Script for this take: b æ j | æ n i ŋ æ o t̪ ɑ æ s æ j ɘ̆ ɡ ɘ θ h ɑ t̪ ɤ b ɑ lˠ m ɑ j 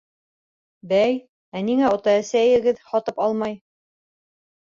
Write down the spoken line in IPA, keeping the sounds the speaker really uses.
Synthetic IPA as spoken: b æ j | æ n i ŋ æ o t̪ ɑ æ s æ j ɘ̆ ɡ ɘ ð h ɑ t̪ ɤ p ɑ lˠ m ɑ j